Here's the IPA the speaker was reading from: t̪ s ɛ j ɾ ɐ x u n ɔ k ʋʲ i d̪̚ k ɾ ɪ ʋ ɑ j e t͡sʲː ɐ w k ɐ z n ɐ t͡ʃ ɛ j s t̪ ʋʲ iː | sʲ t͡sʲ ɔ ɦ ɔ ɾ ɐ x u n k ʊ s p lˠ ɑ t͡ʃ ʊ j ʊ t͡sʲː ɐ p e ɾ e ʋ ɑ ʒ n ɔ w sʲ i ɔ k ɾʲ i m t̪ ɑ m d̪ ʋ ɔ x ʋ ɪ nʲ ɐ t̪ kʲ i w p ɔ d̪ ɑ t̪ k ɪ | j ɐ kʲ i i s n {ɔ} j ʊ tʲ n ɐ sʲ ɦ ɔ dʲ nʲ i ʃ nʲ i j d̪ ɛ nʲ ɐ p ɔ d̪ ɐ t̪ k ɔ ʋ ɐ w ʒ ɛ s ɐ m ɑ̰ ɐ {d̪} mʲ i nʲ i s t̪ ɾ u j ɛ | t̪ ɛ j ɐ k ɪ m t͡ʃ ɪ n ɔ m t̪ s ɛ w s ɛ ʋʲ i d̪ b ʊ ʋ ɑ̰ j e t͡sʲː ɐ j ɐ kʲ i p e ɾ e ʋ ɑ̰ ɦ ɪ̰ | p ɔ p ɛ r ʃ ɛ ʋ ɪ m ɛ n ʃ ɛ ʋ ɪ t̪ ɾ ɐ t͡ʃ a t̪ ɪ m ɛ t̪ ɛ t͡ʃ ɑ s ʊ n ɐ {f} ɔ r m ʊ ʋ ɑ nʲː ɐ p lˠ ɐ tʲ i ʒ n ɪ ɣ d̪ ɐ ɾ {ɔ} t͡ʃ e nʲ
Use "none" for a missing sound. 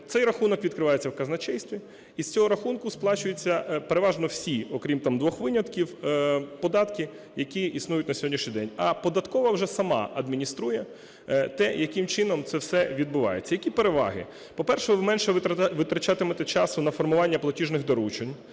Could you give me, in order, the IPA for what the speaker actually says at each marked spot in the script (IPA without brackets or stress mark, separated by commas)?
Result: u, d̪, f, u